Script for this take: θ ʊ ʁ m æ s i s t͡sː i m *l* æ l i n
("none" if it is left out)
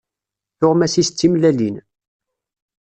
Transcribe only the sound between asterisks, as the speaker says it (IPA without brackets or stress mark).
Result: l